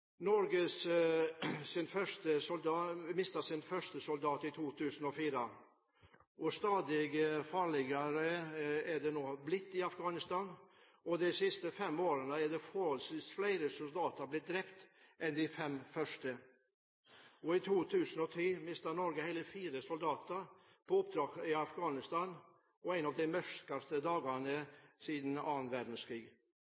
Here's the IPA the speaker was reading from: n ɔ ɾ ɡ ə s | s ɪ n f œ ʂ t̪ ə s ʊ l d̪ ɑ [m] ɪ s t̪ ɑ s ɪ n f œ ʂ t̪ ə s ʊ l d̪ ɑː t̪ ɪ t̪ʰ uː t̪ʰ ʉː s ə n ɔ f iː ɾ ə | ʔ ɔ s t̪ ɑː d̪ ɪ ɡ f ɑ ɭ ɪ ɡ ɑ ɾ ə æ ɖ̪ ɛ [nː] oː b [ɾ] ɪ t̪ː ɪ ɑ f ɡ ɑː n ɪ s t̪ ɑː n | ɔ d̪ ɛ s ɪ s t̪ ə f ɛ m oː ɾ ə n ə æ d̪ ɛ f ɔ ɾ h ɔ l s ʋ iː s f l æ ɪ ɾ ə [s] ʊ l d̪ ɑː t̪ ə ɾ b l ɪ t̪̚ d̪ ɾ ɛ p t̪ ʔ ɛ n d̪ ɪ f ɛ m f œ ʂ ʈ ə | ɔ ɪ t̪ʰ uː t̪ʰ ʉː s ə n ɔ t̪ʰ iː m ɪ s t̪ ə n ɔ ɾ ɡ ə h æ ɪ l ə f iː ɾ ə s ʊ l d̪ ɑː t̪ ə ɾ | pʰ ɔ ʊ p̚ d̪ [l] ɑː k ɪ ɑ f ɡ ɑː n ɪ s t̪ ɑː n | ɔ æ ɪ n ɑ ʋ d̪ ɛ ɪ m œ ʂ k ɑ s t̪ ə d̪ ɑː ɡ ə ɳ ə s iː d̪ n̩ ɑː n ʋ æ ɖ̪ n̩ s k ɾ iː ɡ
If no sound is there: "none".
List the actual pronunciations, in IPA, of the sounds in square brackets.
m, n, l, s, ɾ

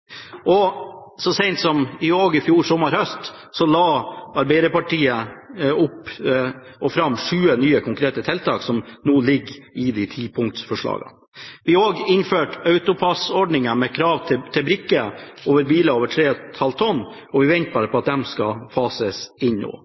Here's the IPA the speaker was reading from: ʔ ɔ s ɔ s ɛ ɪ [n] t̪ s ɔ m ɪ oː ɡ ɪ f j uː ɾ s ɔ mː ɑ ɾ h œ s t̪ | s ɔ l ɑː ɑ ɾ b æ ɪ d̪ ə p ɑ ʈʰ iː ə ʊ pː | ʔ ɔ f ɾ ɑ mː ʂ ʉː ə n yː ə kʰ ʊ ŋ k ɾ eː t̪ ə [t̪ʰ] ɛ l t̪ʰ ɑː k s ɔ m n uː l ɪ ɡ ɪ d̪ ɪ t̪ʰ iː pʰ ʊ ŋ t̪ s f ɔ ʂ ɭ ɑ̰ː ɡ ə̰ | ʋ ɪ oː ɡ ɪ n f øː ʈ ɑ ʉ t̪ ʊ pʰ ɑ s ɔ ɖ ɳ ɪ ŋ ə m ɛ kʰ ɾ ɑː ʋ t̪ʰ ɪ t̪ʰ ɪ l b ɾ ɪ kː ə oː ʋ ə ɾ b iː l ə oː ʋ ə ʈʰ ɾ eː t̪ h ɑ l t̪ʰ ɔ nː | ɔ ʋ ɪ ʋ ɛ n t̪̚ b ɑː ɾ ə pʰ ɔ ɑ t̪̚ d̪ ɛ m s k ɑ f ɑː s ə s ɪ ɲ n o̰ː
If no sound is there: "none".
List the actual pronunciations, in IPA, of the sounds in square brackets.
n, t̪ʰ

